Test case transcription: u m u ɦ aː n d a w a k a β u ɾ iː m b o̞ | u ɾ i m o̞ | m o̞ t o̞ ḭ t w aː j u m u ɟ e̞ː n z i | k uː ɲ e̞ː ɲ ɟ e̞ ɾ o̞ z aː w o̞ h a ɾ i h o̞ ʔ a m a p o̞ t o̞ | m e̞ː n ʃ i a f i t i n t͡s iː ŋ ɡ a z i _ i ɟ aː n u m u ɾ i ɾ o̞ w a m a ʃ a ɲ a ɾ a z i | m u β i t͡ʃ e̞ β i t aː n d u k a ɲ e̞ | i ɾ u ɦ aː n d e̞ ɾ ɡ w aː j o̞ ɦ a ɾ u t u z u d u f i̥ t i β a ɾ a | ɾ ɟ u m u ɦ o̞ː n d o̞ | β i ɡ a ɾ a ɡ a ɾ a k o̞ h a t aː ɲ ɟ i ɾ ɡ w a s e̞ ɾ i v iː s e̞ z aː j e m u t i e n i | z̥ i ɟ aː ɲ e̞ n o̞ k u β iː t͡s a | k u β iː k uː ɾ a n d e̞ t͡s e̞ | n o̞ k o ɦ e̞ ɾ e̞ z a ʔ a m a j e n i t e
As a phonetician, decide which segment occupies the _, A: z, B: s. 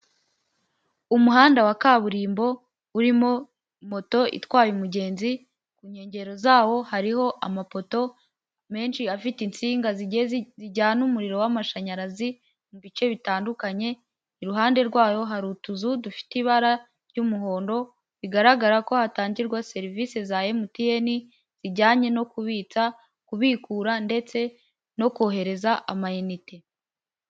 A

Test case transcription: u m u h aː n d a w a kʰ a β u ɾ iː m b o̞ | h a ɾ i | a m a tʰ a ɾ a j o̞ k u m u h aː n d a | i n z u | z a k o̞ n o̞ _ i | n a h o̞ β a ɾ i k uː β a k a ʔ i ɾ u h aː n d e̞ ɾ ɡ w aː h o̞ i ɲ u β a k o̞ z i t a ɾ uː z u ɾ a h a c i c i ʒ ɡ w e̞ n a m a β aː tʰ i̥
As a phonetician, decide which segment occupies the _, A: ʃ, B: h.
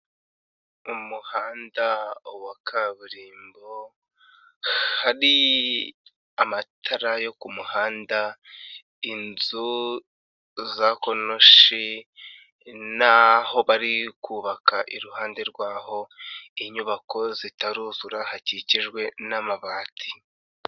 A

